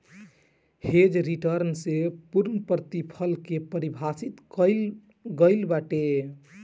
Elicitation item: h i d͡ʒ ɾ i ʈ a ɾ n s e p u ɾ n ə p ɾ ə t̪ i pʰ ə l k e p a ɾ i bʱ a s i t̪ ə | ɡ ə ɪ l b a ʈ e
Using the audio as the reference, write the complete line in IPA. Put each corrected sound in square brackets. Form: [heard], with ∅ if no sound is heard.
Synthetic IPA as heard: h [e] d͡ʒ ɾ i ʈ [ə] ɾ n s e p u ɾ n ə p ɾ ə t̪ i pʰ ə l k e p [ə] ɾ i bʱ a s i t̪ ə | ɡ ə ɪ l b a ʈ e